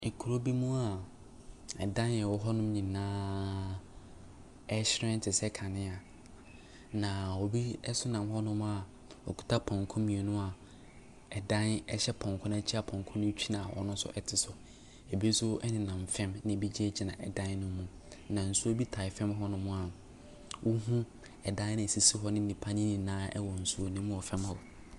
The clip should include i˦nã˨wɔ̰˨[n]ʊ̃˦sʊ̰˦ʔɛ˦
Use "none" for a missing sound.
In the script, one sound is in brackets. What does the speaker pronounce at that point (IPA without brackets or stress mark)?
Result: n